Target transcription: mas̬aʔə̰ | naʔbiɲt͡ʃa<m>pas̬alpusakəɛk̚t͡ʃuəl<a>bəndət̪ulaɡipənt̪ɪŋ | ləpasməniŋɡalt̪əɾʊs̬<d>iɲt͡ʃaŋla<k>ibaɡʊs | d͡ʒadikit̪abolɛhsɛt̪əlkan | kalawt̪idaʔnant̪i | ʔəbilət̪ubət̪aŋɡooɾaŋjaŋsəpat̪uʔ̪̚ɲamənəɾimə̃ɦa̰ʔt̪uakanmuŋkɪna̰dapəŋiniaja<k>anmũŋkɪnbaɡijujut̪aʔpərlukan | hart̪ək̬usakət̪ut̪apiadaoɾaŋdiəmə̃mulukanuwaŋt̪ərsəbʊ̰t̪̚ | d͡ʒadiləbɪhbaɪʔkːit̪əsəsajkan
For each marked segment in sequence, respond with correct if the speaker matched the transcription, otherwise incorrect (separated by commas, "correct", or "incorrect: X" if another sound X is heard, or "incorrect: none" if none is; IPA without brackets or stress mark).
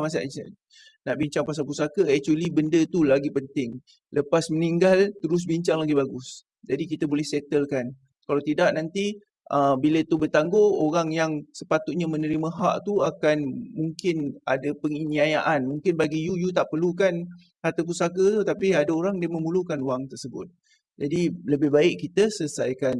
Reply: incorrect: ŋ, incorrect: i, incorrect: b, incorrect: ɡ, incorrect: ʔ